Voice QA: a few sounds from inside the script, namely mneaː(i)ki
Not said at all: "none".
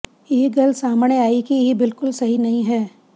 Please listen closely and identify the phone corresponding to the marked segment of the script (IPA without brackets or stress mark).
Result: i